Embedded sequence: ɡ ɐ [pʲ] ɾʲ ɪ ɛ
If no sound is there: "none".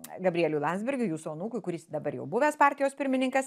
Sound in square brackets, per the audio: bʲ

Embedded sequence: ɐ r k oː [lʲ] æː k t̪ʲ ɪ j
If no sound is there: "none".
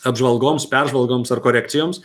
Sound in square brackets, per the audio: ɾʲ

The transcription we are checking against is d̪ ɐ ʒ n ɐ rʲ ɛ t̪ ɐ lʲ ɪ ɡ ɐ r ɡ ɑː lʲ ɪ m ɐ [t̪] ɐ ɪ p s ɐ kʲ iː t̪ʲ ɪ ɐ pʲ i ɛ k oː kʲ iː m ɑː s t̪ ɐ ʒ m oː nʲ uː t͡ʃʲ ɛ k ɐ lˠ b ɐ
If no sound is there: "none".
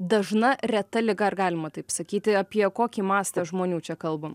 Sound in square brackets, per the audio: t̪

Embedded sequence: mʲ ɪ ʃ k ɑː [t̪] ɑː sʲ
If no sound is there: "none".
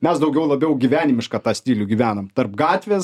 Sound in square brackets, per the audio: t̪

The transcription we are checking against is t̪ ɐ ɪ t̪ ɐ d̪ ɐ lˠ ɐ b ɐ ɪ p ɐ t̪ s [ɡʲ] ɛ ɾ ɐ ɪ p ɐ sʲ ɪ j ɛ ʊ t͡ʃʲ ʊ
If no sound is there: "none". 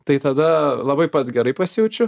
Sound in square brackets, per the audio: ɡʲ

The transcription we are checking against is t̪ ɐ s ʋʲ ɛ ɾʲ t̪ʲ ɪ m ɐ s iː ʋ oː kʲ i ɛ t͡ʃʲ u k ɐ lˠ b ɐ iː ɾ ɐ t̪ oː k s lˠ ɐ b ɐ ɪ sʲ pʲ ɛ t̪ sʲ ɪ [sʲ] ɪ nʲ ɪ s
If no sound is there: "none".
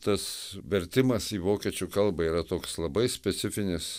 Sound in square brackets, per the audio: fʲ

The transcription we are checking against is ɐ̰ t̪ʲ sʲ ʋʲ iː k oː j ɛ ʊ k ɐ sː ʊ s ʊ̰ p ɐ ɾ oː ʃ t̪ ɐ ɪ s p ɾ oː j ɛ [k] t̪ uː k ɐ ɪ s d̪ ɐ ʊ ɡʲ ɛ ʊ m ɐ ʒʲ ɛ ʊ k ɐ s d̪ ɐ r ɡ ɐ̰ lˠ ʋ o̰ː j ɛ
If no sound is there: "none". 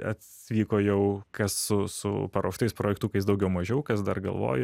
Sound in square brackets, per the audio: k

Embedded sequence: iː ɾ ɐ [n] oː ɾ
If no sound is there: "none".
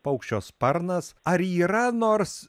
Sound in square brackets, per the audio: n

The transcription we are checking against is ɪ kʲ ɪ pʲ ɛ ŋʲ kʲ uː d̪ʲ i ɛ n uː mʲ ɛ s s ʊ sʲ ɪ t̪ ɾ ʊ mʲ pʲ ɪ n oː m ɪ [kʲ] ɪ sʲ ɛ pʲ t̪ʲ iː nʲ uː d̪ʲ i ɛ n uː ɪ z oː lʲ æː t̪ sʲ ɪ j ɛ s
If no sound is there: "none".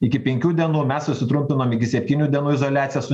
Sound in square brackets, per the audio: kʲ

